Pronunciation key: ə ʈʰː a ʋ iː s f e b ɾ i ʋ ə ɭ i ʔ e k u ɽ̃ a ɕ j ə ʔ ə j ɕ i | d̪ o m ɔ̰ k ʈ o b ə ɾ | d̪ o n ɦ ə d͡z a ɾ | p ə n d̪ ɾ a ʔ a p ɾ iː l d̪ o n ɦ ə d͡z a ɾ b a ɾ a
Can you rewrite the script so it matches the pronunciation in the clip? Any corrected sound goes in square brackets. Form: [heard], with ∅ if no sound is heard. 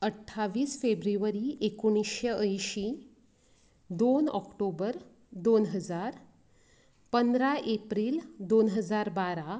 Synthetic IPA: ə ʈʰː a ʋ iː s f e b ɾ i ʋ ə [ɾ] i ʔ e k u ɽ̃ [i] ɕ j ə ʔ ə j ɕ i | d̪ o [n] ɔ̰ k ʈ o b ə ɾ | d̪ o n ɦ ə d͡z a ɾ | p ə n d̪ ɾ a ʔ [e] p ɾ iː l d̪ o n ɦ ə d͡z a ɾ b a ɾ a